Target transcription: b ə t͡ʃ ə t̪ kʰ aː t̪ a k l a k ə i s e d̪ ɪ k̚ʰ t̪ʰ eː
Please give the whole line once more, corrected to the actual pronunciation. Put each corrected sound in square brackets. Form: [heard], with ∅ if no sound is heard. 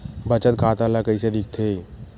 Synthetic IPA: b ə t͡ʃ ə t̪ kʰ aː t̪ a [∅] l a k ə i s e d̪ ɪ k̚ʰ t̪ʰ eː